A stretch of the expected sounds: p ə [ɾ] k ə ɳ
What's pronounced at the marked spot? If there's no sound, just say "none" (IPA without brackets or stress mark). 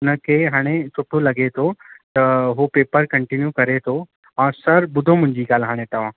ɾ